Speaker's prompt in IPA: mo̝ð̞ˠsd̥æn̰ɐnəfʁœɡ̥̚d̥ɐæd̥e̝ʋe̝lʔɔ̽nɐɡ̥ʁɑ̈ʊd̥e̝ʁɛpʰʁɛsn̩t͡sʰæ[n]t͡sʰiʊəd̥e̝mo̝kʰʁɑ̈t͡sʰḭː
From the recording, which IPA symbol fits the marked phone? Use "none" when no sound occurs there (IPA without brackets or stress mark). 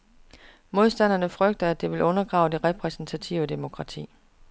none